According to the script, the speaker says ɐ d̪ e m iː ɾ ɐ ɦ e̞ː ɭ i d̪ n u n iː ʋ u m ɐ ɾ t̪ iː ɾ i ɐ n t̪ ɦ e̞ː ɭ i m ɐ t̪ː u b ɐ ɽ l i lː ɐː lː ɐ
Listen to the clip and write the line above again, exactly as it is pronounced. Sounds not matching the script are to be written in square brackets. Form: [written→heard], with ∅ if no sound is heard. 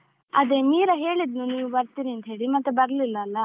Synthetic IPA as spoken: ɐ d̪ e m iː ɾ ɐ ɦ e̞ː ɭ i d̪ n u n iː ʋ u [m→b] ɐ ɾ t̪ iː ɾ i ɐ n t̪ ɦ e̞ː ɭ i m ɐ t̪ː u b ɐ [ɽ→ɾ] l i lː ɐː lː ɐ

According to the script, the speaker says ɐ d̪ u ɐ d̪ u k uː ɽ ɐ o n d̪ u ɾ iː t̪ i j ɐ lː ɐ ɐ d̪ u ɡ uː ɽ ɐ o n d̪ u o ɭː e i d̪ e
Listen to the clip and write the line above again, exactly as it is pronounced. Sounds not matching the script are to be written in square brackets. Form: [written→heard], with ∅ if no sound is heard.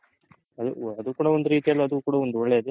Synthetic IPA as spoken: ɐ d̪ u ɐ d̪ u k uː ɽ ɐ o n d̪ u ɾ iː t̪ i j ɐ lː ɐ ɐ d̪ u [ɡ→k] uː ɽ ɐ o n d̪ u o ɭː e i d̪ e

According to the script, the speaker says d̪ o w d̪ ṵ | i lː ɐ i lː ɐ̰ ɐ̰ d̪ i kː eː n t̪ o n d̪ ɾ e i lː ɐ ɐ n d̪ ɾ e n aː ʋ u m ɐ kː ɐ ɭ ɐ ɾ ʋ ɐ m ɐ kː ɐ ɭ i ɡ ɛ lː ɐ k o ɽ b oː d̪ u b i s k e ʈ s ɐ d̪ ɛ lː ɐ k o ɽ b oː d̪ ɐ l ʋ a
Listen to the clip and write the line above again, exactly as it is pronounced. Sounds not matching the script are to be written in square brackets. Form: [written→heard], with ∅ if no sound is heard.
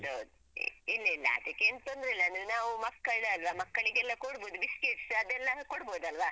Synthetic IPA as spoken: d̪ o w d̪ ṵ | i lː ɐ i lː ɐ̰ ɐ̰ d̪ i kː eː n t̪ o n d̪ ɾ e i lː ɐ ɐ n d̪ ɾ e n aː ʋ u m ɐ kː ɐ ɭ ɐ [ɾ→l] ʋ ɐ m ɐ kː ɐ ɭ i ɡ ɛ lː ɐ k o ɽ b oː d̪ u b i s k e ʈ s ɐ d̪ ɛ lː ɐ k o ɽ b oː d̪ ɐ l ʋ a

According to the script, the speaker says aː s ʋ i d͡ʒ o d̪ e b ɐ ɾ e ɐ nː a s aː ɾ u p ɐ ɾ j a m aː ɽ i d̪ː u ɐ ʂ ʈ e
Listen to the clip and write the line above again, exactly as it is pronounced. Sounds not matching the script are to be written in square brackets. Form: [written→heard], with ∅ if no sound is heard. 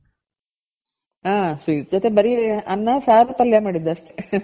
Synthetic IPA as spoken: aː s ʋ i d͡ʒ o [d̪→t̪] e b ɐ ɾ [e→i] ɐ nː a s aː ɾ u p ɐ [ɾ→l] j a m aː ɽ i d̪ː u ɐ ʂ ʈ e

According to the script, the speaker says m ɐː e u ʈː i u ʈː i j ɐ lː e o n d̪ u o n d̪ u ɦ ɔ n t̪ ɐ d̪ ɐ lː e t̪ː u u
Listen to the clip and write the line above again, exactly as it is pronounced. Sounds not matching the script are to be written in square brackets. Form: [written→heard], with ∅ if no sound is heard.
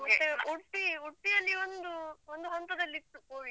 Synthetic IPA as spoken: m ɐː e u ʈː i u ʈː i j ɐ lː [e→i] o n d̪ u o n d̪ u ɦ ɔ n t̪ ɐ d̪ ɐ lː [e→i] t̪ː u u

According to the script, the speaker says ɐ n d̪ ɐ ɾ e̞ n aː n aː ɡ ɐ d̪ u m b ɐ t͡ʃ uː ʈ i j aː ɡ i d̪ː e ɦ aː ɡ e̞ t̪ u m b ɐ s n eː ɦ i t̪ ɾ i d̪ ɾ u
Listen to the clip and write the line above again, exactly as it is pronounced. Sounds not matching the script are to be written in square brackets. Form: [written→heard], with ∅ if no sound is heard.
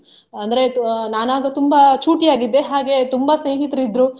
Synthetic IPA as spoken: ɐ n d̪ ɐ ɾ e̞ n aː n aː ɡ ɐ [d̪→t̪] u m b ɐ t͡ʃ uː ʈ i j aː ɡ i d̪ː e ɦ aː ɡ e̞ t̪ u m b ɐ s n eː ɦ i t̪ ɾ i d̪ ɾ u

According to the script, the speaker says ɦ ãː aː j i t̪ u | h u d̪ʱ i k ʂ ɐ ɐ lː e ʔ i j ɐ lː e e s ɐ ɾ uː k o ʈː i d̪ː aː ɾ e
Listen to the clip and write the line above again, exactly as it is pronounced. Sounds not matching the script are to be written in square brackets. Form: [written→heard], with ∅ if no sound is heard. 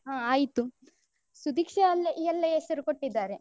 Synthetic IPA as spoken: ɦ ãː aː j i t̪ u | [h→s] u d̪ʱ i k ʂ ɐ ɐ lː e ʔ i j ɐ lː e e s ɐ ɾ [uː→u] k o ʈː i d̪ː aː ɾ e

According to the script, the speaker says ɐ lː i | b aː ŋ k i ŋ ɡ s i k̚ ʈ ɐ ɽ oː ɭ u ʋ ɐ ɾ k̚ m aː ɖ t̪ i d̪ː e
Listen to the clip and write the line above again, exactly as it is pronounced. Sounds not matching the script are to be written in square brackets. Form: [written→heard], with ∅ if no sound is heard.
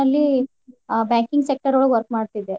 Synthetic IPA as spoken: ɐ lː i | b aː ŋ k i ŋ ɡ s [i→e] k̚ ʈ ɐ [ɽ→ɾ] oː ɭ u ʋ ɐ ɾ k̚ m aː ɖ t̪ i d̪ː e

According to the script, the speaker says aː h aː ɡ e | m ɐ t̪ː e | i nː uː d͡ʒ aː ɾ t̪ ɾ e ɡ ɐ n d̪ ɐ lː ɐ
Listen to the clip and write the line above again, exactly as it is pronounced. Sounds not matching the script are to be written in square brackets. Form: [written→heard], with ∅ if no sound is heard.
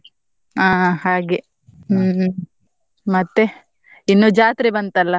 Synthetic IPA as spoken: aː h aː ɡ e | m ɐ t̪ː e | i nː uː d͡ʒ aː [ɾ→∅] t̪ ɾ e [ɡ→b] ɐ n [d̪→t̪] ɐ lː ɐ

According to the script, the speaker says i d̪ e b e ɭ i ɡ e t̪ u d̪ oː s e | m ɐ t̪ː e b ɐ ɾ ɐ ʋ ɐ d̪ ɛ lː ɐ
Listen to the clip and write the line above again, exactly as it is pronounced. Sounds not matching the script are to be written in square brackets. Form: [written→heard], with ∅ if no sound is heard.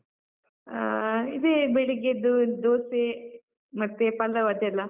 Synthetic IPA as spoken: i d̪ e b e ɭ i ɡ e [t̪→d̪] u d̪ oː s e | m ɐ t̪ː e [b→p] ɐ [ɾ→l] ɐ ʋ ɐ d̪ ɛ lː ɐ

